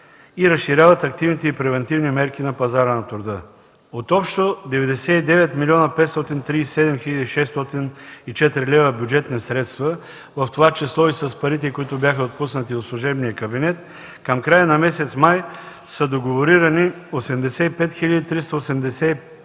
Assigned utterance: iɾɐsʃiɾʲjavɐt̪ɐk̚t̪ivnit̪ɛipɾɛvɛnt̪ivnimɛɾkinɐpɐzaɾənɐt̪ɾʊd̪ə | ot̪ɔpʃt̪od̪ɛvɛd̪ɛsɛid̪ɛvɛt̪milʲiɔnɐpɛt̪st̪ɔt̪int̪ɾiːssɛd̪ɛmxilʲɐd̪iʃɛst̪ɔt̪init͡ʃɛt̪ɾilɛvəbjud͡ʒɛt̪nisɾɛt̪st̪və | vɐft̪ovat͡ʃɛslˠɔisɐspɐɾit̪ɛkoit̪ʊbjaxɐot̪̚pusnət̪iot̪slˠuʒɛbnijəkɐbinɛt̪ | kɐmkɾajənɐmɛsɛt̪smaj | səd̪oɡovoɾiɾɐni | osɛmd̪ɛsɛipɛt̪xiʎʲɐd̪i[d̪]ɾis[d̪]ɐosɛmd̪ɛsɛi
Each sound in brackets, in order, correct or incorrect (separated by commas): incorrect, incorrect